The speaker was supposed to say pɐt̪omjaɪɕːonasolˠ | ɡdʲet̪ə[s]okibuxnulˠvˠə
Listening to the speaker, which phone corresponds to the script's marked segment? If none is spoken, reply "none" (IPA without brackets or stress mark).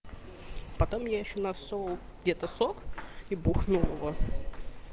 s